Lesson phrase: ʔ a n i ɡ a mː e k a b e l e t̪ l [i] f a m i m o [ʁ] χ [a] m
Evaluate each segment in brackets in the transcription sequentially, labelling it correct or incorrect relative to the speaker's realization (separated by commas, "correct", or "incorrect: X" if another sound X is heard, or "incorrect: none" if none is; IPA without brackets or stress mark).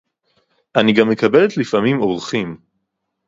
correct, correct, incorrect: i